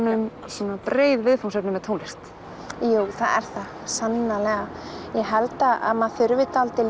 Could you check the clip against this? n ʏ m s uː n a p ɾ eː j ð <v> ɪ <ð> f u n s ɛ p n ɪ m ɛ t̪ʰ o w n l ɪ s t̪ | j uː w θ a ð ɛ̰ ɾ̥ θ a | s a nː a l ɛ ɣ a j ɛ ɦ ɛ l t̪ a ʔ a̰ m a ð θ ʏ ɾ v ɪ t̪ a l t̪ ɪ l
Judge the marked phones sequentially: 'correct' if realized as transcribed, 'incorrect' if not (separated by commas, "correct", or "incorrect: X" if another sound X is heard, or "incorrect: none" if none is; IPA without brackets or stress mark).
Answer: correct, correct